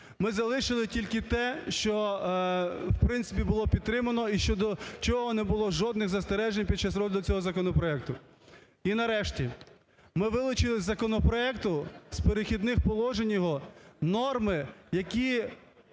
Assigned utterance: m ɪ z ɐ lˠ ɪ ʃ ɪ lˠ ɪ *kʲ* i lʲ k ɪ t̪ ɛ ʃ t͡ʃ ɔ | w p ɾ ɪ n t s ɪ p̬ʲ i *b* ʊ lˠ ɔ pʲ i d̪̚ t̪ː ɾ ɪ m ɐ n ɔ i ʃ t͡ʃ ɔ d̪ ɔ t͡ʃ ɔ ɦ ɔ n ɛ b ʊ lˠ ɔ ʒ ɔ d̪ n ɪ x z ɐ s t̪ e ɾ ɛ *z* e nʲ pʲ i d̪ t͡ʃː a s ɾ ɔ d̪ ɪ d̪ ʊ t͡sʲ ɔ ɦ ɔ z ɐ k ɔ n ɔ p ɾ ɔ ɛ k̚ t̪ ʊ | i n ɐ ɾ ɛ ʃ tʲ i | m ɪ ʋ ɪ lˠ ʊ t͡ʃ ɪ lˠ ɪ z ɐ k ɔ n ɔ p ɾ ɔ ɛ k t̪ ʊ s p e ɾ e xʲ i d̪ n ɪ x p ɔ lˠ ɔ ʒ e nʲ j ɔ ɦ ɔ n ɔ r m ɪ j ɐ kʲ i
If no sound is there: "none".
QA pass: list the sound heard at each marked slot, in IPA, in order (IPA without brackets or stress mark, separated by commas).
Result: tʲ, b, ʒ